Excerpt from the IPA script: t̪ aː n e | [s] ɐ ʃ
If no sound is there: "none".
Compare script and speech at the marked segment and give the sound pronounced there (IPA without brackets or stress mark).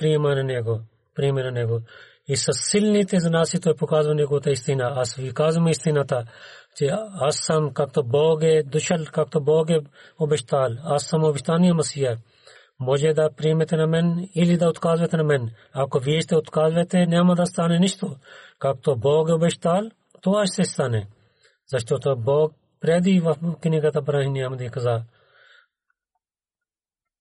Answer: z